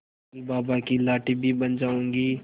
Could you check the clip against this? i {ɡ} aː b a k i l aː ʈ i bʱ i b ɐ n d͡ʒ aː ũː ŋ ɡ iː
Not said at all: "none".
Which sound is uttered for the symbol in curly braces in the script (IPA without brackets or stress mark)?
b